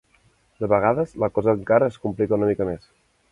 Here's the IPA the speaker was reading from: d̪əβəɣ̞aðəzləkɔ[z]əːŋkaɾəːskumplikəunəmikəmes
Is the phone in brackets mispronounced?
no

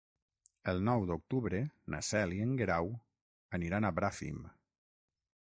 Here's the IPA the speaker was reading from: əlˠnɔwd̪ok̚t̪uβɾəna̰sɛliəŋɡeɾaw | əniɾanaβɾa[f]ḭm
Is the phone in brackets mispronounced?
no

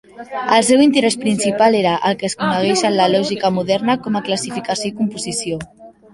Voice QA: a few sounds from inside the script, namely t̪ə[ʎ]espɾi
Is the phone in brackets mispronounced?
yes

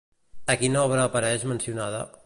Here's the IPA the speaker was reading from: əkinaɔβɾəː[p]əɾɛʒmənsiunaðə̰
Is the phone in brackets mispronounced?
no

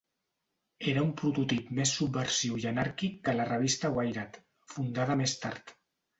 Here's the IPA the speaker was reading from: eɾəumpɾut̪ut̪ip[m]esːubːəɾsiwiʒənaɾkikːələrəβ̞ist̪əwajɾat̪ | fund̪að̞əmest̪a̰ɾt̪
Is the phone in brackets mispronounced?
no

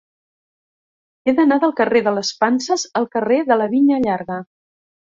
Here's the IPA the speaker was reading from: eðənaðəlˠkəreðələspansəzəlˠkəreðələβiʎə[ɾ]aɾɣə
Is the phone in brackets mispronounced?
yes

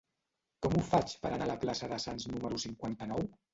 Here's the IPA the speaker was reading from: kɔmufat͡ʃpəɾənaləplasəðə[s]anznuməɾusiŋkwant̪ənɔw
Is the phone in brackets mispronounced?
no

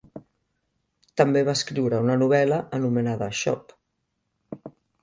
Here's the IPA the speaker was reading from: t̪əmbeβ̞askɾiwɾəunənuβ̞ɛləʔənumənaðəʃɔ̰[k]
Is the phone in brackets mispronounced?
yes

